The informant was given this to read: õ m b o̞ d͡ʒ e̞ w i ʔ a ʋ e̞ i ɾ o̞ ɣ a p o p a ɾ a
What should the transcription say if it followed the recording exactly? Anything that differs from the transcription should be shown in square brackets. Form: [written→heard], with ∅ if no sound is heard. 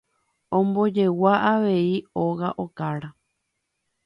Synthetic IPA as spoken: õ m b o̞ d͡ʒ e̞ w [i→a] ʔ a ʋ e̞ i [ɾ→∅] o̞ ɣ a [p→ʔ] o [p→k] a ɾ a